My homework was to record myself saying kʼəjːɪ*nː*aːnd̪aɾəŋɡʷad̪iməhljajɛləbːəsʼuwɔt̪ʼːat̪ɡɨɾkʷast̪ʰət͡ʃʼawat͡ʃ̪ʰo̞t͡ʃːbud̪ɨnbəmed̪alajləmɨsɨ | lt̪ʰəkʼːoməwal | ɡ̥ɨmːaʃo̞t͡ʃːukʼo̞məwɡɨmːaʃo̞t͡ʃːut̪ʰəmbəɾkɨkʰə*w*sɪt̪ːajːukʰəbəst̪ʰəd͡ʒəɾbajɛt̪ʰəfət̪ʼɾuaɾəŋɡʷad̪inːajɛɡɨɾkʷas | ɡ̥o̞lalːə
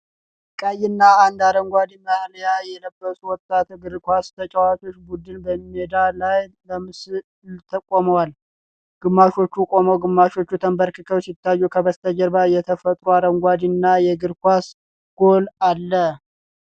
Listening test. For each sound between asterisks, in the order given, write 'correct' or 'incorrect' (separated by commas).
correct, correct